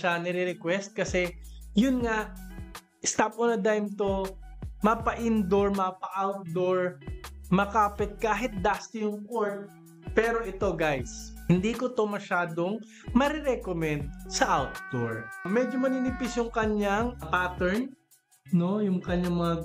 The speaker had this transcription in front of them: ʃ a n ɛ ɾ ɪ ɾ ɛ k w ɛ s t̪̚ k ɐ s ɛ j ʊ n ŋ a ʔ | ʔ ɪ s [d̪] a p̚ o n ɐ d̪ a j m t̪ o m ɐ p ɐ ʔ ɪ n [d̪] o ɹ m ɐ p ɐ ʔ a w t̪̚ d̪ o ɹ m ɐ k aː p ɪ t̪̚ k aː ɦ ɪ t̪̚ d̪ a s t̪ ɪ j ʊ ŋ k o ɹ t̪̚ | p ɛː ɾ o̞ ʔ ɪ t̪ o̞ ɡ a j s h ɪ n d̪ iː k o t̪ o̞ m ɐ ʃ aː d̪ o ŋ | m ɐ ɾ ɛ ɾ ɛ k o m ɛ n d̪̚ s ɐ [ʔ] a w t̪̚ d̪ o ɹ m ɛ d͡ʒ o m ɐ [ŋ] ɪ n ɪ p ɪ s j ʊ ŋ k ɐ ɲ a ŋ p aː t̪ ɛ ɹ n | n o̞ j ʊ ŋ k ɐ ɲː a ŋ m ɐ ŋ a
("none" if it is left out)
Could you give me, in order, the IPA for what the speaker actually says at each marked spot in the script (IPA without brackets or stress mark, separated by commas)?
t̪, d̪, ʔ, n